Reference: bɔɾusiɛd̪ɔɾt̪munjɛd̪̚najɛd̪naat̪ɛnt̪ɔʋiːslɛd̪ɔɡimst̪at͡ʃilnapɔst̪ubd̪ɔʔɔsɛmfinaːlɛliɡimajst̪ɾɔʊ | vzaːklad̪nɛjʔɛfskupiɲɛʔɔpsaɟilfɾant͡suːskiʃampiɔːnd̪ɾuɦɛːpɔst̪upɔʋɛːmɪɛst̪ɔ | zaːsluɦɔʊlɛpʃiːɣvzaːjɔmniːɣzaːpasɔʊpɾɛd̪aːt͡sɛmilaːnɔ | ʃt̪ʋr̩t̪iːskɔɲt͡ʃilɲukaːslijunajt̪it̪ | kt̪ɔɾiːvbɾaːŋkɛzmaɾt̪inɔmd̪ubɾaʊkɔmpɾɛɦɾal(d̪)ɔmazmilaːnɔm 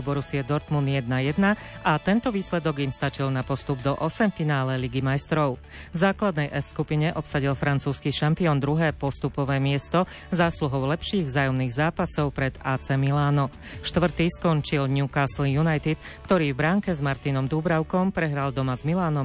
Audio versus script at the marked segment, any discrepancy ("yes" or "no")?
no